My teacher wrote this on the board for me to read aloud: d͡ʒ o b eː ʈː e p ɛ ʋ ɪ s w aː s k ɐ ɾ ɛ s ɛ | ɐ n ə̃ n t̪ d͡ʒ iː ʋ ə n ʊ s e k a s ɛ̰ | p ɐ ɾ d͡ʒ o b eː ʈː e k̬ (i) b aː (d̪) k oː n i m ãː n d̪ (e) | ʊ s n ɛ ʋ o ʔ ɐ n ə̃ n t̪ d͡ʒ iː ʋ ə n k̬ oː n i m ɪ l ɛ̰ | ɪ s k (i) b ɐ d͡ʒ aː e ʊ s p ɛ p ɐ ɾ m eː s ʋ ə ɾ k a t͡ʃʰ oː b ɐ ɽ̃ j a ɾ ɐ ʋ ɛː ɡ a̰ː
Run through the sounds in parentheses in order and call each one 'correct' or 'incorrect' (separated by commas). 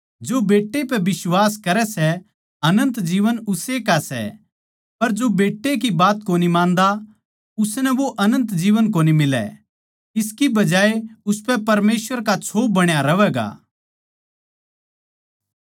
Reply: correct, incorrect, incorrect, correct